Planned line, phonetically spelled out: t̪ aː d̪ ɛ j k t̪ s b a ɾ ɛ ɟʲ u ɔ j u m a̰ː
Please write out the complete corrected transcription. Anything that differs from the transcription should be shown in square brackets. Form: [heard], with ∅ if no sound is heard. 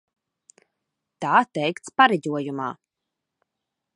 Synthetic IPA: t̪ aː [t̪] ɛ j k t̪ s [p] a ɾ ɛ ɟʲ u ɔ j u m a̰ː